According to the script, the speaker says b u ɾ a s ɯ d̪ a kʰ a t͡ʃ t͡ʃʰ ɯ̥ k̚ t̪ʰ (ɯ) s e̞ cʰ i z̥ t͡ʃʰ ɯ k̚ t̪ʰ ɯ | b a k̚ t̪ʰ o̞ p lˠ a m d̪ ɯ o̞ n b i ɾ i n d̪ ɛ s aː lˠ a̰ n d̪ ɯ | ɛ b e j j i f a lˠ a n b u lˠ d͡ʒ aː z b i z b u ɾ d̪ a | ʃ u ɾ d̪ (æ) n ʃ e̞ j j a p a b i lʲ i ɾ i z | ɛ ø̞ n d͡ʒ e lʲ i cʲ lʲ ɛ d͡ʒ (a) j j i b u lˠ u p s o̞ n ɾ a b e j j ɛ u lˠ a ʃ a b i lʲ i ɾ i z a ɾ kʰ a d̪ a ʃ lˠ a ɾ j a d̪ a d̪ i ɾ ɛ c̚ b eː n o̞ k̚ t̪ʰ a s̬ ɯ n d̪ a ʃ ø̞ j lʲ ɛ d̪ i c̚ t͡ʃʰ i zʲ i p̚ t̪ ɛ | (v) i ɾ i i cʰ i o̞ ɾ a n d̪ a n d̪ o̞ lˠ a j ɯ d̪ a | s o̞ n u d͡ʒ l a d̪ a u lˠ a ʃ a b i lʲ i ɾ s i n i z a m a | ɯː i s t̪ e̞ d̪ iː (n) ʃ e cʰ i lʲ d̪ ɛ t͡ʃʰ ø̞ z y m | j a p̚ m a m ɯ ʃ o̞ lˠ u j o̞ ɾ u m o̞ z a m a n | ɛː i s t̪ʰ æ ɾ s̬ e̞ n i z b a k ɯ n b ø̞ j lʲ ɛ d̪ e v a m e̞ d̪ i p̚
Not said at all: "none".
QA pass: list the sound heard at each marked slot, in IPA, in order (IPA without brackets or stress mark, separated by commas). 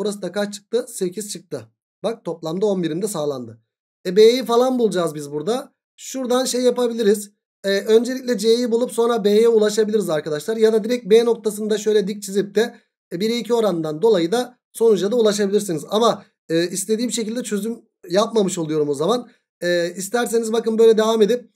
ɯ, a, e, b, m